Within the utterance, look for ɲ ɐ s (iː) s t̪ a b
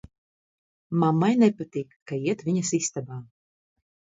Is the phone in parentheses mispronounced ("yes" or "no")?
yes